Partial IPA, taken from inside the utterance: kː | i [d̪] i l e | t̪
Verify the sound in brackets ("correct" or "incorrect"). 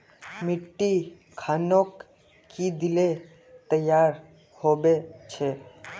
correct